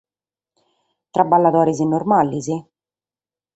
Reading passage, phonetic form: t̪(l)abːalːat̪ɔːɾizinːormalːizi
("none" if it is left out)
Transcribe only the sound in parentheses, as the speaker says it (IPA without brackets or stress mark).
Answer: ɾ